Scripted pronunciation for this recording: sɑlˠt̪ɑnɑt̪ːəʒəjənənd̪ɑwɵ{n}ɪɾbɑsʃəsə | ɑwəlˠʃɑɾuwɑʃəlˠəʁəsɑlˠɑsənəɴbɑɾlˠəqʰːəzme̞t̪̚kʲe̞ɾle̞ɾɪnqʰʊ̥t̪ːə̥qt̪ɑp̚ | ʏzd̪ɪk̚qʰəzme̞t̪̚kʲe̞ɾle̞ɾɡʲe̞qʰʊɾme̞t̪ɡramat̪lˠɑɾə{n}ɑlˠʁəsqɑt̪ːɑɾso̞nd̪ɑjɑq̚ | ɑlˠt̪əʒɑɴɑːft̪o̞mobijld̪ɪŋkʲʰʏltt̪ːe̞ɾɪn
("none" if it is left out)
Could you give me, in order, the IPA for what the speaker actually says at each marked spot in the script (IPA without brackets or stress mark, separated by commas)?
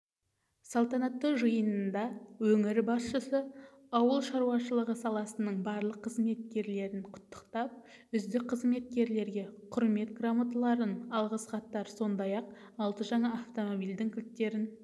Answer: ŋ, n